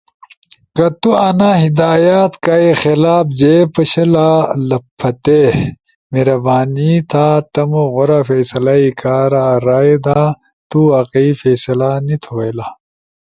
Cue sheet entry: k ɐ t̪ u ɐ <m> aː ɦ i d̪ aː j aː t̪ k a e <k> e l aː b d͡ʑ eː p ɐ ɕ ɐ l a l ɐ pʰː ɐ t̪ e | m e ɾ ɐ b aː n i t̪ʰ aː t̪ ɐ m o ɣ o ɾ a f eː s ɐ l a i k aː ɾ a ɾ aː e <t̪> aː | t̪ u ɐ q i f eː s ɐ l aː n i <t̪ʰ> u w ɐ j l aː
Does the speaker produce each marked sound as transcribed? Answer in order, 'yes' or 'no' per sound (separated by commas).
no, no, no, yes